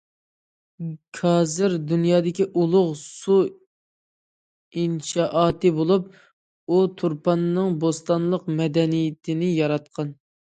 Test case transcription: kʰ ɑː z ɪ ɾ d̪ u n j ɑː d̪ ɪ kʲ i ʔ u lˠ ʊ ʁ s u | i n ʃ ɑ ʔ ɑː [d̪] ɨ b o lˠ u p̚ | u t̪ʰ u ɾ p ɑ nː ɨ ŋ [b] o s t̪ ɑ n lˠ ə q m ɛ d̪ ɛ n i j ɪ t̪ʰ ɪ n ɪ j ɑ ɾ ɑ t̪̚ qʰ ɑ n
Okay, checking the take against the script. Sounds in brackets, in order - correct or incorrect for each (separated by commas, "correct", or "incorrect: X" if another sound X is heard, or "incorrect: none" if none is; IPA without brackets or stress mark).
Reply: incorrect: t̪, correct